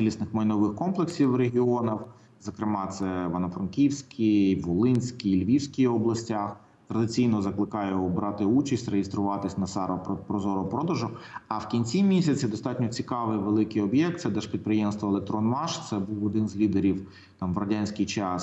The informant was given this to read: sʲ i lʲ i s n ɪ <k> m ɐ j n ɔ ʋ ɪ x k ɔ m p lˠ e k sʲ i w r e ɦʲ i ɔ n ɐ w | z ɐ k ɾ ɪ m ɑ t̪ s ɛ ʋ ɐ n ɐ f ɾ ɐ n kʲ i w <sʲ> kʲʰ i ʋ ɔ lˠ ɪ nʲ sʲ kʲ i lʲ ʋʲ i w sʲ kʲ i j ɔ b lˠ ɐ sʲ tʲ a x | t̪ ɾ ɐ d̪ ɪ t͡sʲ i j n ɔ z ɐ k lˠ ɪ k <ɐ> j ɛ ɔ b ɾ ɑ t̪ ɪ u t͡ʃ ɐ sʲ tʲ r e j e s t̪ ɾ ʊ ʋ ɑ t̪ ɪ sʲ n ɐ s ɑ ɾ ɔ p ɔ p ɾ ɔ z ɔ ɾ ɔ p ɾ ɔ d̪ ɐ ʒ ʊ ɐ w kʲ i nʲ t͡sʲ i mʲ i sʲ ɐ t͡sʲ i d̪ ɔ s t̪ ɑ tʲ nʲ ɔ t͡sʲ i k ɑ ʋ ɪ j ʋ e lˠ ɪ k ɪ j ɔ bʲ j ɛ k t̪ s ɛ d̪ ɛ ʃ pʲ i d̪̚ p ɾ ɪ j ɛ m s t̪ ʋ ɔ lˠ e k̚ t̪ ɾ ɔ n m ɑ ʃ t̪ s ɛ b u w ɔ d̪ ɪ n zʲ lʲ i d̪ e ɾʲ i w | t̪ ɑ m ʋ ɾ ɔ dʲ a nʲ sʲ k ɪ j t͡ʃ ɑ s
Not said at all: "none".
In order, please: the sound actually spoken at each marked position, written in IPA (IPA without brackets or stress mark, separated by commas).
x, sʲ, ɑ